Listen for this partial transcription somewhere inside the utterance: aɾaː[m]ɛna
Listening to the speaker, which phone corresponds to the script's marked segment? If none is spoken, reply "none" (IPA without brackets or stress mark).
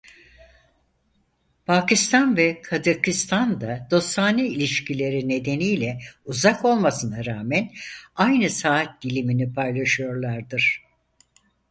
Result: m